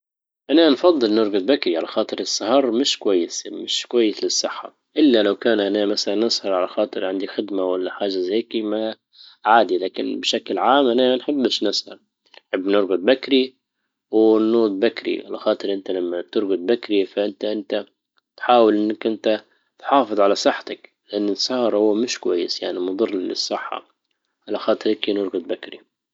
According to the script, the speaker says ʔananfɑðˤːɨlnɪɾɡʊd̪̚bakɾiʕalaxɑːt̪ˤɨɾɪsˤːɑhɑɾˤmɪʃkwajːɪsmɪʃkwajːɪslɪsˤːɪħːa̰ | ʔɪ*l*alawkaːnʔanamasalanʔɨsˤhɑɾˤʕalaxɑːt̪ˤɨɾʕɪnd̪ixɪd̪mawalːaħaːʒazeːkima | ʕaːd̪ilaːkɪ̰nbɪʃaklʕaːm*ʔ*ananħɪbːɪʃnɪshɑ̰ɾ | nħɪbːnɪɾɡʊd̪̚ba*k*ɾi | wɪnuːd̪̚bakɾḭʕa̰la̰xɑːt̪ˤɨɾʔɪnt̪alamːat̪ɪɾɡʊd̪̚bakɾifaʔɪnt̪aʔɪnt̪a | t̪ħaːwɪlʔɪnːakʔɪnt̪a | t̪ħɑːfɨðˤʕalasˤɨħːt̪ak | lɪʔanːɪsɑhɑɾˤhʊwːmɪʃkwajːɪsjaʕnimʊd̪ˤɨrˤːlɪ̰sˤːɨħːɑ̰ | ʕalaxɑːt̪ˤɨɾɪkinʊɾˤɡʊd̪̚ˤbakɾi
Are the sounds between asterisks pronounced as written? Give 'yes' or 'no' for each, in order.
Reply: no, yes, yes

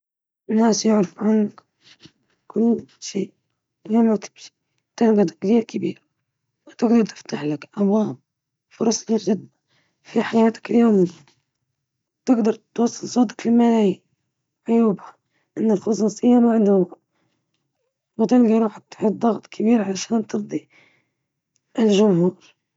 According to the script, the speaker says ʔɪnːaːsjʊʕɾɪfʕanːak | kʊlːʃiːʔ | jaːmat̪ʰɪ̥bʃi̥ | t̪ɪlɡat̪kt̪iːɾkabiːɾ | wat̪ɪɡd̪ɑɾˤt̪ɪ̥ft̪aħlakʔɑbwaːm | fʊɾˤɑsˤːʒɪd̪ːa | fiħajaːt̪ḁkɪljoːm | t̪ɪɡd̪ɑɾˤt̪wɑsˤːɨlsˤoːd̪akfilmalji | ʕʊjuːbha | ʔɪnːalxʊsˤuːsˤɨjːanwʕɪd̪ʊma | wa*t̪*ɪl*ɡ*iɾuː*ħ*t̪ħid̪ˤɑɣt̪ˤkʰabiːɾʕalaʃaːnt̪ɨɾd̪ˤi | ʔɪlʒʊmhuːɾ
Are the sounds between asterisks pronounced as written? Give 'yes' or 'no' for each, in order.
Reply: yes, yes, yes

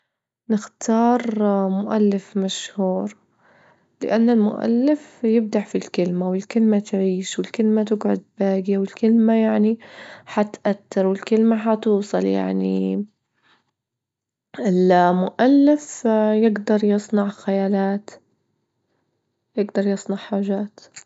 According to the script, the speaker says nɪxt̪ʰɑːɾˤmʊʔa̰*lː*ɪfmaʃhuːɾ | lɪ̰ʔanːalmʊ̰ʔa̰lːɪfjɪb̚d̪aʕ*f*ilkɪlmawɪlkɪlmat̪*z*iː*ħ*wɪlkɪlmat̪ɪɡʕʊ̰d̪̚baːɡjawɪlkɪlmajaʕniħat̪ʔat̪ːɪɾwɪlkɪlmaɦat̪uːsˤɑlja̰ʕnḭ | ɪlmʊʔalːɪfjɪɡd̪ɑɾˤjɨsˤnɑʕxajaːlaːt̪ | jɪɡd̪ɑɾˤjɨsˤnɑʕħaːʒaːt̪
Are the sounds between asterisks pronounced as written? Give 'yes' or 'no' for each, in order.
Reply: yes, yes, no, no

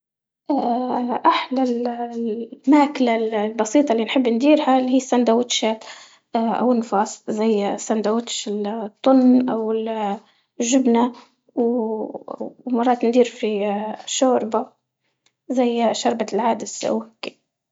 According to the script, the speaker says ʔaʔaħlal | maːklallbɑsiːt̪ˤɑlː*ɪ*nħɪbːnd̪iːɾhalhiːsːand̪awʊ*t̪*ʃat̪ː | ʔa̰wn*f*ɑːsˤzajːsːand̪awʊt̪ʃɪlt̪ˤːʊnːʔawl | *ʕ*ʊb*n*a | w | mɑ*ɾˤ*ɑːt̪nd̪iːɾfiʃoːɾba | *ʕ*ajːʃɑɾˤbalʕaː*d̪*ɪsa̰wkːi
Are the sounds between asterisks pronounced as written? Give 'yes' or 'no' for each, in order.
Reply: no, yes, yes, no, yes, no, no, yes

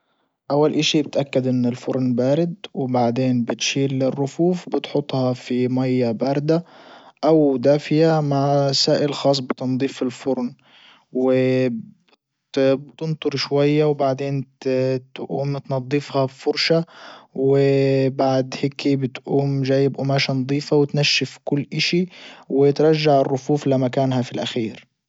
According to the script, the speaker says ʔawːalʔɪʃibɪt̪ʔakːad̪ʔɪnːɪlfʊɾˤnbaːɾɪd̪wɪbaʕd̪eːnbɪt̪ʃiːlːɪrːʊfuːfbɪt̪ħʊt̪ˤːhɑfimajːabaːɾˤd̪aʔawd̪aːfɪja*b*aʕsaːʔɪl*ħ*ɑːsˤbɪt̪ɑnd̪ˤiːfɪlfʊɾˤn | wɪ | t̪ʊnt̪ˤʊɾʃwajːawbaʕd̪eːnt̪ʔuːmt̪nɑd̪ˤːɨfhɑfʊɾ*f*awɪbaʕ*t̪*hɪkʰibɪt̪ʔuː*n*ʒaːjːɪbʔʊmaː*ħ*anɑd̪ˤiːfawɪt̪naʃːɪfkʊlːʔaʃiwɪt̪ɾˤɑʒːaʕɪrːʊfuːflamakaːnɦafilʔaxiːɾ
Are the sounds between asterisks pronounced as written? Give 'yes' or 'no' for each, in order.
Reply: no, no, no, no, no, no

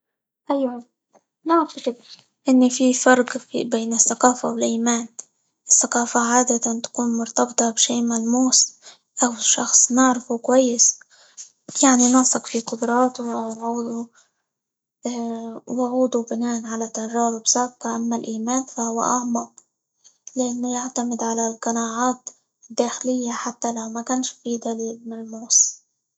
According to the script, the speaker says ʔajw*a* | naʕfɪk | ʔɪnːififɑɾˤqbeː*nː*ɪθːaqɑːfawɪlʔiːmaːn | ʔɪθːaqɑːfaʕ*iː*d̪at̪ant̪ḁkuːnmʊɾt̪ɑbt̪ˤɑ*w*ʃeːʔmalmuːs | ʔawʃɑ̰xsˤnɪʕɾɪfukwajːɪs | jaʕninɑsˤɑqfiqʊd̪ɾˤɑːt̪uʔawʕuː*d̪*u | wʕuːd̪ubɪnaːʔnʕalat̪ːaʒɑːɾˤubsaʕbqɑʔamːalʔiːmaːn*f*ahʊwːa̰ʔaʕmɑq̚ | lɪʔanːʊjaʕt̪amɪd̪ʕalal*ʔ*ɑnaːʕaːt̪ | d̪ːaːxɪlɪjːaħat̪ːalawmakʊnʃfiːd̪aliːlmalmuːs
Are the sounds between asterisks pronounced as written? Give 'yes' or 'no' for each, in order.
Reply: yes, no, no, no, yes, yes, no

